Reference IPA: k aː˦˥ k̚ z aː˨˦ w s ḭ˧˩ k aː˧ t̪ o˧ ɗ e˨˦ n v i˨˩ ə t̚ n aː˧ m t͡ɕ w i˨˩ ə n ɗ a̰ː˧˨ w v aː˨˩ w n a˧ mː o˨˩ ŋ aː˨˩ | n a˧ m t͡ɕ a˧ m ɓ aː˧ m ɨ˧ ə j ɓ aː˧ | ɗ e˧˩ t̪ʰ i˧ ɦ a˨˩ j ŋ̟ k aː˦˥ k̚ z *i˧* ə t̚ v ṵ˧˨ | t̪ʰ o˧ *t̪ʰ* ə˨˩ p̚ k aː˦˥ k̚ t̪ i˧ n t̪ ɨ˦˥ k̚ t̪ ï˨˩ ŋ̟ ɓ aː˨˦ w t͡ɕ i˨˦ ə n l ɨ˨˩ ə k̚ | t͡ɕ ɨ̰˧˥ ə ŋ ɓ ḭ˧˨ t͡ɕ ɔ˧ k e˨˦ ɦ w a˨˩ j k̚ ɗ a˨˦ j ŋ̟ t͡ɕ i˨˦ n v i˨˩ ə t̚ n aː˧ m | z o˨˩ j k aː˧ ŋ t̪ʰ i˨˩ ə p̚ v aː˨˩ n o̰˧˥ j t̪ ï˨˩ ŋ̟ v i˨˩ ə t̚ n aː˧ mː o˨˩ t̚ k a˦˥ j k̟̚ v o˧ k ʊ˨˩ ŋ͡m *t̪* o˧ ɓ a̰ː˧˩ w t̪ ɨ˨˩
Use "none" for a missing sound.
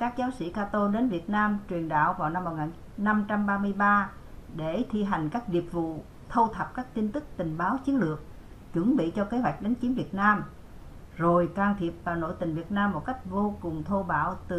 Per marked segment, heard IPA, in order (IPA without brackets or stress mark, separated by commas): i˨˩, t̪ʰ, t̪ʰ